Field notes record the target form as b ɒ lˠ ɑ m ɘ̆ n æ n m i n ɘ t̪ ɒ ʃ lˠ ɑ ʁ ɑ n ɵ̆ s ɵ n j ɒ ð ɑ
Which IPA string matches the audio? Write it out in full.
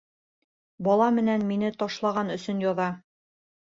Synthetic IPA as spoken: b ɒ lˠ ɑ m ɘ̆ n æ n m i n ɘ t̪ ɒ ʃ lˠ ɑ ʁ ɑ n ɵ̆ s ɵ n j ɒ ð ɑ